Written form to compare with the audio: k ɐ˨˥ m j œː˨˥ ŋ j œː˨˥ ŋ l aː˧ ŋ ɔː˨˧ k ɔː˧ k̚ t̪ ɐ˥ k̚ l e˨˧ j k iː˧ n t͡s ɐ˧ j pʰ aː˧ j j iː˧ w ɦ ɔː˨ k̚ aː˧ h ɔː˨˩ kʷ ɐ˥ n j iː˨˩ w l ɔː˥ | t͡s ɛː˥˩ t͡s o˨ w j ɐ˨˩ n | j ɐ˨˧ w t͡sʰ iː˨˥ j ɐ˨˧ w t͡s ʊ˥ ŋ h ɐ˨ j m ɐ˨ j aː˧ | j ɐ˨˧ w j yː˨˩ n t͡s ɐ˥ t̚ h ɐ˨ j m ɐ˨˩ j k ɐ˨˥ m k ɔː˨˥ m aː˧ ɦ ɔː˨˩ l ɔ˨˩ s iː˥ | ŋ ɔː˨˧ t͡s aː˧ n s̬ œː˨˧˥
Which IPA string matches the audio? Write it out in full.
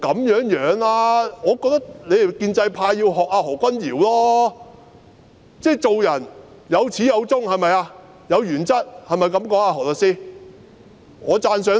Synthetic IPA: k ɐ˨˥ m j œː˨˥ ŋ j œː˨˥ ŋ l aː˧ ŋ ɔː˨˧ k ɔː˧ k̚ t̪ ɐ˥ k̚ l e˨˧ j k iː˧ n t͡s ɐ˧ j pʰ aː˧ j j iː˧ w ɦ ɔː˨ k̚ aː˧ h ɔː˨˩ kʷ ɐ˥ n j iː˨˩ w l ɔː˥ | t͡s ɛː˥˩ t͡s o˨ w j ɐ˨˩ n | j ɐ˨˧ w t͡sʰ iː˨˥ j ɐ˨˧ w t͡s ʊ˥ ŋ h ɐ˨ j m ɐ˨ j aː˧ | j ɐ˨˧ w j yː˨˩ n t͡s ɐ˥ t̚ h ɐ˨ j m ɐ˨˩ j k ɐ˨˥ m k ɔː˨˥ ŋ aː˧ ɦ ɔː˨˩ l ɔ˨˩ s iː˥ | ŋ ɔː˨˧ t͡s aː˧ n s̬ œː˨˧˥

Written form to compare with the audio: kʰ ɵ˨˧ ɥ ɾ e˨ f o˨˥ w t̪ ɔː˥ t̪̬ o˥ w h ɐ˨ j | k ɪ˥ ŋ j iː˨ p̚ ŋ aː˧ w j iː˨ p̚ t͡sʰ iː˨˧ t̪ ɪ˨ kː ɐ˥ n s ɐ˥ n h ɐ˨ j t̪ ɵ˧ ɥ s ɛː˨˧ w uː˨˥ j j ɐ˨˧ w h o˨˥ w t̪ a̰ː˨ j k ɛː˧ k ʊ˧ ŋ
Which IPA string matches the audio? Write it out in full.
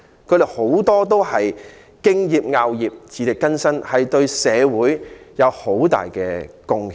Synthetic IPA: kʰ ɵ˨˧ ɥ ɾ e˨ h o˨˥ w t̪ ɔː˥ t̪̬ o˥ w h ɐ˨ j | k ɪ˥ ŋ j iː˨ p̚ ŋ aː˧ w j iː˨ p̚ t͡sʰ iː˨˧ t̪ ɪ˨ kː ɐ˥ n s ɐ˥ n h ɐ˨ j t̪ ɵ˧ ɥ s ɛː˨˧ w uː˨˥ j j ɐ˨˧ w h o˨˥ w t̪ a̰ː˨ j k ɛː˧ k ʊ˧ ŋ

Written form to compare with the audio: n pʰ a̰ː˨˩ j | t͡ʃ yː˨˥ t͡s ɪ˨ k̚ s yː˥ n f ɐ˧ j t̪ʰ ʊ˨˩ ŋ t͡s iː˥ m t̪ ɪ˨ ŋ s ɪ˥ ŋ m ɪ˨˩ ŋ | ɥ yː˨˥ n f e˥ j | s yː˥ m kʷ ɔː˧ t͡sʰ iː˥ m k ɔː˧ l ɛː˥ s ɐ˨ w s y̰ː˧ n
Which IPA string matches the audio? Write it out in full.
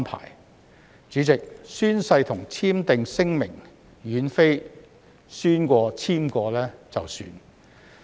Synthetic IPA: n pʰ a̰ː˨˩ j | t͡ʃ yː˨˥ t͡s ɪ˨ k̚ s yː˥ n s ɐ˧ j t̪ʰ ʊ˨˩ ŋ t͡sʰ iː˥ m t̪ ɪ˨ ŋ s ɪ˥ ŋ m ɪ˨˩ ŋ | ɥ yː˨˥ n f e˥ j | s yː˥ n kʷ ɔː˧ t͡sʰ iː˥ m k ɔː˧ l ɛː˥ t͡s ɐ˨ w s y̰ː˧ n

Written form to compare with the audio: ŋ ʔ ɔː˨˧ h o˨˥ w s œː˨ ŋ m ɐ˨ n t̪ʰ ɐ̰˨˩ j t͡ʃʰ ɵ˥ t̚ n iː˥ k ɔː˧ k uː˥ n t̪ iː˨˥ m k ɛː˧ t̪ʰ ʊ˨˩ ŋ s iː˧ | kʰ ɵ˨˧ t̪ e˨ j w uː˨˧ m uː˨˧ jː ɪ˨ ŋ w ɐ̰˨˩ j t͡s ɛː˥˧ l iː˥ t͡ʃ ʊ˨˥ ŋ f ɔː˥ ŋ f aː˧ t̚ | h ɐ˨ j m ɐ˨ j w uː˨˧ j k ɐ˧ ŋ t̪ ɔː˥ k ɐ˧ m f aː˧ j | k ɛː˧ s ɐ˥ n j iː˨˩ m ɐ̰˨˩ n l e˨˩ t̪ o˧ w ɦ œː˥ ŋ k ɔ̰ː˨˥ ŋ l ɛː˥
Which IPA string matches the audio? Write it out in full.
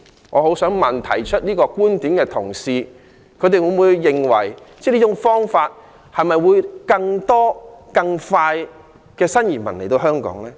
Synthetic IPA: ŋ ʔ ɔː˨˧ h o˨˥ w s œː˨˥ ŋ m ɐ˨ n t̪ʰ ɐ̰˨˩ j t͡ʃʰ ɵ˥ t̚ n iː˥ k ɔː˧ k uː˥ n t̪ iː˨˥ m k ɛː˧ t̪ʰ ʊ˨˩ ŋ s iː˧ | kʰ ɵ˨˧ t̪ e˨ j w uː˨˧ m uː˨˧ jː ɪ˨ ŋ w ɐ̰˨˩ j t͡s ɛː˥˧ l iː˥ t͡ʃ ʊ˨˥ ŋ f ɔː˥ ŋ f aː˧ t̚ | h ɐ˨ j m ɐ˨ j w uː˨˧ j k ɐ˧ ŋ t̪ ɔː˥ k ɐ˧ ŋ f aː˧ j | k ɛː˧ s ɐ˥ n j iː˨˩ m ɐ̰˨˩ n l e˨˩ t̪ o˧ w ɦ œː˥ ŋ k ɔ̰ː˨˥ ŋ l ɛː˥

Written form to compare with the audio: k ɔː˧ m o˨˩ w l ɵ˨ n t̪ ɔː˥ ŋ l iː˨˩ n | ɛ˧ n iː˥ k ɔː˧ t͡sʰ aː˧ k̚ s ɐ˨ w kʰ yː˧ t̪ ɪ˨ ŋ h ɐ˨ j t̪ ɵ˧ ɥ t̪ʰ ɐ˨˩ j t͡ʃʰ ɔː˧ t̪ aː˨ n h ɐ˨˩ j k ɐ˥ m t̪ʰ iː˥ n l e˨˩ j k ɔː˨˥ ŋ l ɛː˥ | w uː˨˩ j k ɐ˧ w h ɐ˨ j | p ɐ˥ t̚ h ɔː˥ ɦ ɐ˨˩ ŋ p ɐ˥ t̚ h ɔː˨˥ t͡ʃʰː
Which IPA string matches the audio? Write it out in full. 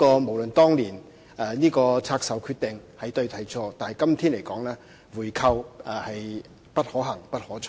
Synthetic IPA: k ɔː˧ m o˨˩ w l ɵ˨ n t̪ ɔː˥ ŋ l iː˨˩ n | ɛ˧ n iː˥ k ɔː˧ t͡sʰ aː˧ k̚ s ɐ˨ w kʰ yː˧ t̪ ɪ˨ ŋ h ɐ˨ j t̪ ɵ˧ ɥ t̪ʰ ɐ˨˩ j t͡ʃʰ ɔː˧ t̪ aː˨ n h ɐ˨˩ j k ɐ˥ m t̪ʰ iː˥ n l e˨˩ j k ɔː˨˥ ŋ l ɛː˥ | w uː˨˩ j kʰ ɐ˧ w h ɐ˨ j | p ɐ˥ t̚ h ɔː˨˥ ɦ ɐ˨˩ ŋ p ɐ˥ t̚ h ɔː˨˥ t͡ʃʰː

